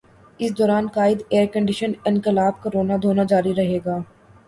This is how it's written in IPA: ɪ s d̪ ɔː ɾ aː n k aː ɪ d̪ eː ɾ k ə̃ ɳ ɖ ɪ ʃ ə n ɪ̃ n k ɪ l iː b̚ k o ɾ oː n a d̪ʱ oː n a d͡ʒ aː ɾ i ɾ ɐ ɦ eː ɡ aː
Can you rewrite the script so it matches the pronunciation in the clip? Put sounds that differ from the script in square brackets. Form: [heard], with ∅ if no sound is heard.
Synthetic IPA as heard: ɪ s d̪ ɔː ɾ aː n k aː ɪ d̪ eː ɾ k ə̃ ɳ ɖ ɪ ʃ ə n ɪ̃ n k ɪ l [aː] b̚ k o ɾ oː n a d̪ʱ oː n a d͡ʒ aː ɾ i ɾ ɐ ɦ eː ɡ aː

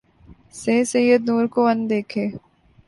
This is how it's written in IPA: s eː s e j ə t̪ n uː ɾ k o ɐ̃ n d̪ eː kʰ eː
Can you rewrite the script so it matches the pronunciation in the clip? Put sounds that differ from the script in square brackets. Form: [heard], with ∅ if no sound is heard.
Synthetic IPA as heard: s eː s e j ə [d̪] n uː ɾ k o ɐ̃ n d̪ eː kʰ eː

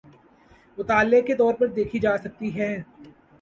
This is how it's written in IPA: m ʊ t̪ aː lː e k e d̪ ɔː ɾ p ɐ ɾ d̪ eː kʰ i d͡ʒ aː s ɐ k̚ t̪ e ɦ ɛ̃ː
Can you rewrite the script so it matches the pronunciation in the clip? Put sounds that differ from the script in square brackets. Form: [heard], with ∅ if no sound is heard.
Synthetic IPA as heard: m ʊ t̪ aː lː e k e [t̪] ɔː ɾ p ɐ ɾ d̪ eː kʰ i d͡ʒ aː s ɐ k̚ t̪ [i] ɦ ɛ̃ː

